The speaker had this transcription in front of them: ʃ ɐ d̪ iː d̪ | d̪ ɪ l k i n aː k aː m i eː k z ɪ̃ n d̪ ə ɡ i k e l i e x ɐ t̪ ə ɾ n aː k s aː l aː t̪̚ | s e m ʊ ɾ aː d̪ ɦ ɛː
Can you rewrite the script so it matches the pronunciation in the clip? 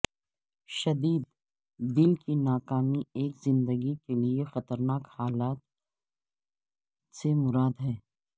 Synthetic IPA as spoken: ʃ ɐ d̪ iː d̪ | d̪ ɪ l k i n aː k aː m i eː k z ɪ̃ n d̪ ə ɡ i k e l i e x ɐ t̪ ə ɾ n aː k h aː l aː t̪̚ | s e m ʊ ɾ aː d̪ ɦ ɛː